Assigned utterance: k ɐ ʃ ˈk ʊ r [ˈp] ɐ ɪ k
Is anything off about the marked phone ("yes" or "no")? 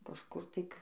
yes